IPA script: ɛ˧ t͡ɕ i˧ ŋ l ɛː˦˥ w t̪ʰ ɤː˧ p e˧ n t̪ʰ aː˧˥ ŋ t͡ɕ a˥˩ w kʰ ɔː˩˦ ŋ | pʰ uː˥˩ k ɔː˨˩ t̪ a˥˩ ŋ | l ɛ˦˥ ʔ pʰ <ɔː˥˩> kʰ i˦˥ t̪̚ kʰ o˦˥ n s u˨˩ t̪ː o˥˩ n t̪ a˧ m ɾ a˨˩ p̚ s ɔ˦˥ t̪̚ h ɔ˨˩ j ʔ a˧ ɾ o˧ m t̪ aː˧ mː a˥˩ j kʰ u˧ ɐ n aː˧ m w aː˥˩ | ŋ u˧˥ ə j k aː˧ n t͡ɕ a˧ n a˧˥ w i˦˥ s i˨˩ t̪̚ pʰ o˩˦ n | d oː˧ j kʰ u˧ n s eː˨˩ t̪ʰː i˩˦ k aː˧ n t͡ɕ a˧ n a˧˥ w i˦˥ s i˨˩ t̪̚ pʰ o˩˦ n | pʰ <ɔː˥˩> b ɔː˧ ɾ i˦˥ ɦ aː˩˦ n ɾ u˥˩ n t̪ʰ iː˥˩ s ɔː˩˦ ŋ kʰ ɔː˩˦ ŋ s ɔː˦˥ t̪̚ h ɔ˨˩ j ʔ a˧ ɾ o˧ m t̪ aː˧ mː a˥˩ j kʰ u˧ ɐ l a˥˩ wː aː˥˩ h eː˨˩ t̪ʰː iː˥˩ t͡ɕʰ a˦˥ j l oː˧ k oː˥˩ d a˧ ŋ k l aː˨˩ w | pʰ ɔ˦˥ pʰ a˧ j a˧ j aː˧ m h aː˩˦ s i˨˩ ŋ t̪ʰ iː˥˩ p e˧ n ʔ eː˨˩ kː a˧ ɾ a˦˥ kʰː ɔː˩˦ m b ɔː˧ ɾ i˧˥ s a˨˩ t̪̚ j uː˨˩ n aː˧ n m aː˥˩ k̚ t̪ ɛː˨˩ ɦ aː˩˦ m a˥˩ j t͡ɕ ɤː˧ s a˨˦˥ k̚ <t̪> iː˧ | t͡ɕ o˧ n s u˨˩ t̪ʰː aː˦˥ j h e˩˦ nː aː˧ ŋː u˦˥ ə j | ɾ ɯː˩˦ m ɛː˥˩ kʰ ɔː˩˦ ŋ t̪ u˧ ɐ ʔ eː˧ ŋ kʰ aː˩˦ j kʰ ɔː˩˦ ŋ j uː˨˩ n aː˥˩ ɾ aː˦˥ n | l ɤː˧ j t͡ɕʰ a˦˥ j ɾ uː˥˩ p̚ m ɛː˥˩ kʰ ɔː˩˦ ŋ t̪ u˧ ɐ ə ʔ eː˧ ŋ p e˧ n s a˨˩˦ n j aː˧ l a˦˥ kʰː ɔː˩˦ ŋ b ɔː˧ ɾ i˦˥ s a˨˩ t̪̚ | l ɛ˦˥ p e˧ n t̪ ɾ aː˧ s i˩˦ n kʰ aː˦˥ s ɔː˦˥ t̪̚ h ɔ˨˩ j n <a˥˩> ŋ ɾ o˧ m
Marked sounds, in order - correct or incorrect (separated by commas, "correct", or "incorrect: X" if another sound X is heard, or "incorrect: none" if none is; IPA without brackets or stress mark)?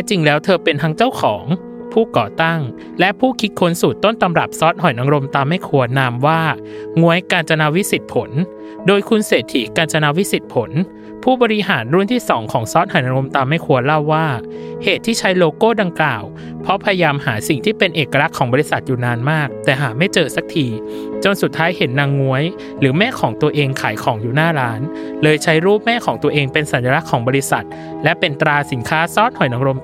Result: incorrect: uː˥˩, incorrect: uː˥˩, incorrect: t̪ʰ, incorrect: a˧